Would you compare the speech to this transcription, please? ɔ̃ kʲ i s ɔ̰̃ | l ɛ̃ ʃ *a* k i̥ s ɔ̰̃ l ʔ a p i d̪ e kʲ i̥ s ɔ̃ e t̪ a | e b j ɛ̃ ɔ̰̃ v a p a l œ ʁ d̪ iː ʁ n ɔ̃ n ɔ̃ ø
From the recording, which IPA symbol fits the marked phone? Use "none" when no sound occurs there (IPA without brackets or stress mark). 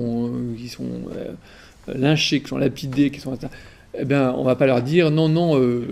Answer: e